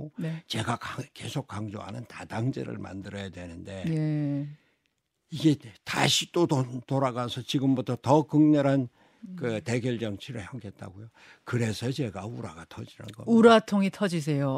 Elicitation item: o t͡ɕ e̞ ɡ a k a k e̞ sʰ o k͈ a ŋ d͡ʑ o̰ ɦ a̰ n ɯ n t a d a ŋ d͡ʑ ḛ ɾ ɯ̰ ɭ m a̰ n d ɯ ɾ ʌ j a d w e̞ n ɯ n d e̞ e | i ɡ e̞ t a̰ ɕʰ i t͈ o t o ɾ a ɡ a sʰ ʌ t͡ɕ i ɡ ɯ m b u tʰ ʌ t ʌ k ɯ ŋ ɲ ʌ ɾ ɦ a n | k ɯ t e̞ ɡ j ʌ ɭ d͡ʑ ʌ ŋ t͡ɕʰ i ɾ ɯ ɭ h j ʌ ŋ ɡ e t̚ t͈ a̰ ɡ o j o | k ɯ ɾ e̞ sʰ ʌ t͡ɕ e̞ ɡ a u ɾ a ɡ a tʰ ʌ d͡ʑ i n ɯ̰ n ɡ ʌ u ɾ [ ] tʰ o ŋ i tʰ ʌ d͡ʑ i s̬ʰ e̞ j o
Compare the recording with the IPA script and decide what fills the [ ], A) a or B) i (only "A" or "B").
A